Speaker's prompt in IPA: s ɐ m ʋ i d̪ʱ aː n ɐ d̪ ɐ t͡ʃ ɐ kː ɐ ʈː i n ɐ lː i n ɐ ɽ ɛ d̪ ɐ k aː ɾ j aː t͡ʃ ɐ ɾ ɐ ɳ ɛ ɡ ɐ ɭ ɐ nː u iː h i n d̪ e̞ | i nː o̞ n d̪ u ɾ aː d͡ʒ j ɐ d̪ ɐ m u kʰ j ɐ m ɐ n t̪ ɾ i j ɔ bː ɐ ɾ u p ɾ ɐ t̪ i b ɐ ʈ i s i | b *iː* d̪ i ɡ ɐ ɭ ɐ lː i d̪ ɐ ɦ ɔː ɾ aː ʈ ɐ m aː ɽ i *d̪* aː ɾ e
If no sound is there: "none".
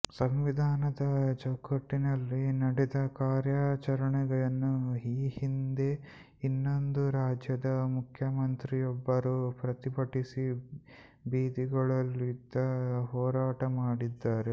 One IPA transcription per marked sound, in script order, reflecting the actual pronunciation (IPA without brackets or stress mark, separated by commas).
iː, d̪ː